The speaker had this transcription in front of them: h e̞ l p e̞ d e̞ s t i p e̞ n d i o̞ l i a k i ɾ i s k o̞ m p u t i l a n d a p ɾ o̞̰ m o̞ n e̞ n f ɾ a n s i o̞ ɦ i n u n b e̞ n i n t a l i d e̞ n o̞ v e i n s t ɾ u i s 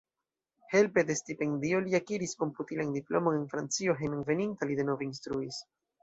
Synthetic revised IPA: h e̞ l p e̞ d e̞ s t i p e̞ n d i o̞ l i a k i ɾ i s k o̞ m p u t i l a n d i p l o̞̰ m o̞ n e̞ n f ɾ a n t͡s i o̞ ɦ e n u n v e̞ n i n t a l i d e̞ n o̞ v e i n s t ɾ u i s